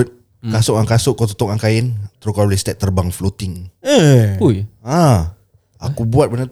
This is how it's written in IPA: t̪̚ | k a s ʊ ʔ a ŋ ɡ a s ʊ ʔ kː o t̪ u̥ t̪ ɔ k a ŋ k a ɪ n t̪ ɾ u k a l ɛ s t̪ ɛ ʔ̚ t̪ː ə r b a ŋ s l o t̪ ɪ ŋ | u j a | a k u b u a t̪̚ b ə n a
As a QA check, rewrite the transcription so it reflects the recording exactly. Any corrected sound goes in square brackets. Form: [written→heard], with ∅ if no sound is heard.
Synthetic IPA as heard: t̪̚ | k a s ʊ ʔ a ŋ [ɡ→k] a s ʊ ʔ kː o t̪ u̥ t̪ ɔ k a ŋ k a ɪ n t̪ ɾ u k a l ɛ s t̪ ɛ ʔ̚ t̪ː ə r b a ŋ [s→f] l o t̪ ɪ ŋ | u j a | a k u b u a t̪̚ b ə n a